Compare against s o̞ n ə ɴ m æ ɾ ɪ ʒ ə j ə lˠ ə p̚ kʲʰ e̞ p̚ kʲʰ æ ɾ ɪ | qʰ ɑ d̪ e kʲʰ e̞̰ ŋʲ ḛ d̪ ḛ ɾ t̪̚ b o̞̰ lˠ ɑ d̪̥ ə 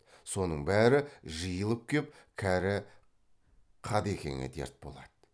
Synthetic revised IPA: s o̞ n ə ɴ b æ ɾ ɪ ʒ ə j ə lˠ ə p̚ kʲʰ e̞ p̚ kʲʰ æ ɾ ɪ | qʰ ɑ d̪ e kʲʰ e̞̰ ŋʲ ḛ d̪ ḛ ɾ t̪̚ b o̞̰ lˠ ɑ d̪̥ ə